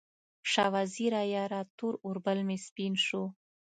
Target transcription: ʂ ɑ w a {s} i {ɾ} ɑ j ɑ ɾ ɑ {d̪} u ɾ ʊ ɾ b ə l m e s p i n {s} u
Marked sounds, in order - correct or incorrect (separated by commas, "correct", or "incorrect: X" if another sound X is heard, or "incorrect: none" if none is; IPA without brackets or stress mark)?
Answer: incorrect: z, correct, incorrect: t̪, incorrect: ʃ